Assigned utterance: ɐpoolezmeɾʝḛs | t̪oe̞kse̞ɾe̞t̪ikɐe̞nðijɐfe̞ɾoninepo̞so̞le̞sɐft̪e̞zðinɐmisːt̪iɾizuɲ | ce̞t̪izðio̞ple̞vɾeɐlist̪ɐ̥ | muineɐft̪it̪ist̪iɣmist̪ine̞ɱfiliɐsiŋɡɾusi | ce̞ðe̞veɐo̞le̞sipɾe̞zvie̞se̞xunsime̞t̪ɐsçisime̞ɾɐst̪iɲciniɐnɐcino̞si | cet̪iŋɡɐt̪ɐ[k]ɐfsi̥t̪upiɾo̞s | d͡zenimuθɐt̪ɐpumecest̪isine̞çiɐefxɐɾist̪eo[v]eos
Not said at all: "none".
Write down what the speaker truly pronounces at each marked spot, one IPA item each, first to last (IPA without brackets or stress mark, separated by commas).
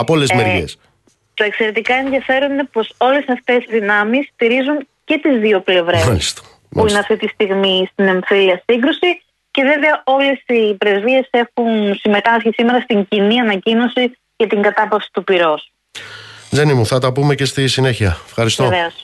p, v